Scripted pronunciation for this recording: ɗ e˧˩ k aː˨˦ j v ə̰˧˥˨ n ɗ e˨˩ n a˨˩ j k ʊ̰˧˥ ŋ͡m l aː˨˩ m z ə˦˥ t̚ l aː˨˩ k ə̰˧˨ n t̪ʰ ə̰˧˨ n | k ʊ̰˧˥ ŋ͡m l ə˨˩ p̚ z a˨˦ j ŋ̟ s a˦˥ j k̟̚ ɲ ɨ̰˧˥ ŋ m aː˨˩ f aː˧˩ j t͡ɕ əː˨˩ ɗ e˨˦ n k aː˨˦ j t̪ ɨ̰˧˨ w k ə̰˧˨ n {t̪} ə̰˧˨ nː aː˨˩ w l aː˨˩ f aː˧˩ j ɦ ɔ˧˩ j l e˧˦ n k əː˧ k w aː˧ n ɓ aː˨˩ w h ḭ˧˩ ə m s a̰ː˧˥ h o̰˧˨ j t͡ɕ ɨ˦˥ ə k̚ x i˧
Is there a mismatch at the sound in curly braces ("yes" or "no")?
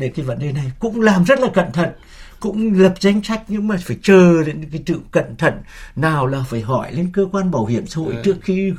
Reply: yes